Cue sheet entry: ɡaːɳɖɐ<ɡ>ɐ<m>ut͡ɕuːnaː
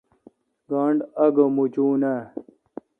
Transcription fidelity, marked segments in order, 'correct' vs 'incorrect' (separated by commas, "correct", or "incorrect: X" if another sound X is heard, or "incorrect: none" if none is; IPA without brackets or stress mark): correct, correct